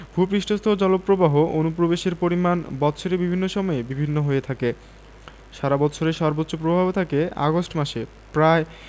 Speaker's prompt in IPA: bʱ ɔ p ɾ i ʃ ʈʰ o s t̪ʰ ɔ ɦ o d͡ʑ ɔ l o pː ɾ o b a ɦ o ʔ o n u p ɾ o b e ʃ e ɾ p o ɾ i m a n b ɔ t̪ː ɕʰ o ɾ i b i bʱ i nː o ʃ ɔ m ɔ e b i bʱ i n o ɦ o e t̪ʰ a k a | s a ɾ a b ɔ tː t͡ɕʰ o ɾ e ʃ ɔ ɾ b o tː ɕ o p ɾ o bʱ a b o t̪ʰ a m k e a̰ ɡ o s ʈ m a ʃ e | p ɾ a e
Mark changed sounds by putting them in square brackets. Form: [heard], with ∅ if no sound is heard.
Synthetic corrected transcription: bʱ [u] p ɾ i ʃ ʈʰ o s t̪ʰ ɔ ɦ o d͡ʑ ɔ l o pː ɾ o b a ɦ o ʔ o n u p ɾ o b e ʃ e ɾ p o ɾ i m a n b ɔ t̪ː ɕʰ o ɾ [e] b i bʱ i nː o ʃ ɔ m ɔ e b i bʱ i [nː] o ɦ o e t̪ʰ a k [e] | [ʃ] a ɾ a b ɔ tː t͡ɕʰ o ɾ e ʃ ɔ ɾ b o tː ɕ o p ɾ o bʱ a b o t̪ʰ a [∅] k e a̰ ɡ o s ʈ m a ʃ e | p ɾ a e